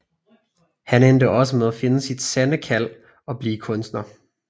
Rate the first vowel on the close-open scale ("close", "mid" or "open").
open